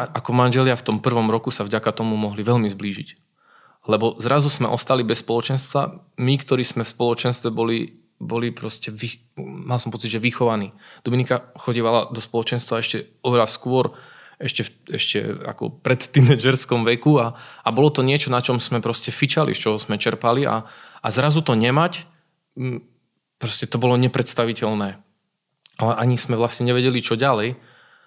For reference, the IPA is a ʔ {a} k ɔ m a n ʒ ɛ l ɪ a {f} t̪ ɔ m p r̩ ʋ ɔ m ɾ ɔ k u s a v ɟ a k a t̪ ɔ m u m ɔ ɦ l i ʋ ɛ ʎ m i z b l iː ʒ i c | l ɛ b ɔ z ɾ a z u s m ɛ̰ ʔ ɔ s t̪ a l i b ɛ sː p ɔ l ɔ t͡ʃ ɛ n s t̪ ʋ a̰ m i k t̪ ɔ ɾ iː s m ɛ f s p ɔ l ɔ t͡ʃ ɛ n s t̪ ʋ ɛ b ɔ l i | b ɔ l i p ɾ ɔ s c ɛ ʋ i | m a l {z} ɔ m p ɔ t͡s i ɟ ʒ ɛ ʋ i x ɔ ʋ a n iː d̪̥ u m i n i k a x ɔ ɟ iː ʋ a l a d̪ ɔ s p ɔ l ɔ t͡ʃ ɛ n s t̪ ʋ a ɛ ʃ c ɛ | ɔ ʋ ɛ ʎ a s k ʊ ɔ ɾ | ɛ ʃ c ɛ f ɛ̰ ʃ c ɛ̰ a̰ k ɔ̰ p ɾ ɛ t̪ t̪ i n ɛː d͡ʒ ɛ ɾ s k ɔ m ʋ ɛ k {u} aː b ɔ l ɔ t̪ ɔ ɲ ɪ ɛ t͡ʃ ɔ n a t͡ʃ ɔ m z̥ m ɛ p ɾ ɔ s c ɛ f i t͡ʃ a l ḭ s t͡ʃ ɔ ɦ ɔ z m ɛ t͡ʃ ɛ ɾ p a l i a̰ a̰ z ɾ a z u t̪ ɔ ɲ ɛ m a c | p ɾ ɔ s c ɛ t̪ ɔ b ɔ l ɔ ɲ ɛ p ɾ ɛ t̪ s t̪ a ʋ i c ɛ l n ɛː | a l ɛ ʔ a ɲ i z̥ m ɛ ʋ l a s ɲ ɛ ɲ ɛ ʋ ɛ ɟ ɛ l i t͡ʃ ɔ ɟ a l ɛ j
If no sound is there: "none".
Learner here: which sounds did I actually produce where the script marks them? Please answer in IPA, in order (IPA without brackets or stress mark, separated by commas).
a, f, s, u